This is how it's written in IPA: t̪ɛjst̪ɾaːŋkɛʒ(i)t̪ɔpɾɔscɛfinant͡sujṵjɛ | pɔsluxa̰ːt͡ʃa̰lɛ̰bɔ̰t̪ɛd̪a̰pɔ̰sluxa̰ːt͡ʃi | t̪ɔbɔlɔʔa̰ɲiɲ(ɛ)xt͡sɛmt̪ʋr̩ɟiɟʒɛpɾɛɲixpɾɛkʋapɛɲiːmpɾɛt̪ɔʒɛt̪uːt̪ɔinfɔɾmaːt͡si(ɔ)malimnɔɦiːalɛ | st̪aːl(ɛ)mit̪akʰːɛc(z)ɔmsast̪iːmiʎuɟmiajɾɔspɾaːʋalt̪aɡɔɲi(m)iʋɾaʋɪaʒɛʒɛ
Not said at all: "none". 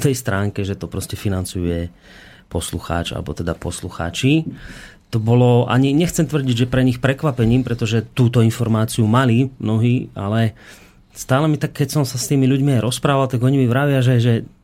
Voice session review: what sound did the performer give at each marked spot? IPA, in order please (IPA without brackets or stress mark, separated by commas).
ɛ, ɛ, u, ɛ, s, m